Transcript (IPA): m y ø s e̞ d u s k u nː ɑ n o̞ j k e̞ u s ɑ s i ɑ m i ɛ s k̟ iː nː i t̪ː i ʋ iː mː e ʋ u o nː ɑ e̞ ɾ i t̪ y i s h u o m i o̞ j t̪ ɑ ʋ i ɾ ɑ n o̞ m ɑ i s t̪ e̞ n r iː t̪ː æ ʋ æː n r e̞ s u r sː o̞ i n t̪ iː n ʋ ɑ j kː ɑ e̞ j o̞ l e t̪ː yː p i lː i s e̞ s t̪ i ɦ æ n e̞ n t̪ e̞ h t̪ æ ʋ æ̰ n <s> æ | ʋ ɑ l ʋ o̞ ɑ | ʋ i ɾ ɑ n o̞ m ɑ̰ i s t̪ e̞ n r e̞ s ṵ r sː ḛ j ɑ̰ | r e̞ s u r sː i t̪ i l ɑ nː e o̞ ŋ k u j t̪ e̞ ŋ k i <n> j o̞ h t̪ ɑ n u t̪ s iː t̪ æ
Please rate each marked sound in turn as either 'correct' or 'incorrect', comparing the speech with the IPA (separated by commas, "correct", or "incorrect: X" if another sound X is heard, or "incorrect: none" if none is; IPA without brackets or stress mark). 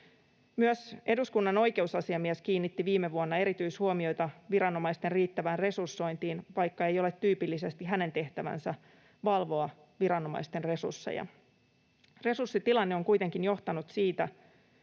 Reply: correct, correct